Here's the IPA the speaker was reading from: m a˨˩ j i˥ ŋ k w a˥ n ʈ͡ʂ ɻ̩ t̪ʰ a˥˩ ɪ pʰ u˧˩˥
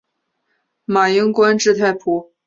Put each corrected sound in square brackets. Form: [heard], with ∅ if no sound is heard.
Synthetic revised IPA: m a˨˩ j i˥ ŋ k w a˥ n ʈ͡ʂ ɻ̩ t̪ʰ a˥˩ ɪ pʰ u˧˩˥